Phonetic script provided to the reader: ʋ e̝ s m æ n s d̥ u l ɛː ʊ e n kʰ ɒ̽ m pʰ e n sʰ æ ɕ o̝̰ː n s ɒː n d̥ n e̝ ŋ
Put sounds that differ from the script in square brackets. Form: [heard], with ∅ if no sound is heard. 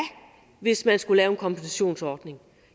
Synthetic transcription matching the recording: ʋ e̝ s m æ n s [ɡ̥] u l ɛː ʊ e n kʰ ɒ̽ m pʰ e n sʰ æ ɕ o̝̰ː n s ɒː [∅] d̥ n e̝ ŋ